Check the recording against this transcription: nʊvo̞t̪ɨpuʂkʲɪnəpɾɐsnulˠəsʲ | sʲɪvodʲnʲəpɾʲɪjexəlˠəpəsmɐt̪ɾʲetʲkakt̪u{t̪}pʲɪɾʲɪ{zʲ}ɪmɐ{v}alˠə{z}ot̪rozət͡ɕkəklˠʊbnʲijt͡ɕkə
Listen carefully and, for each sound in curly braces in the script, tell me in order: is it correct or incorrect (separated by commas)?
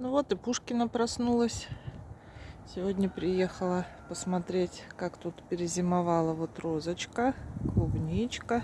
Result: correct, correct, correct, incorrect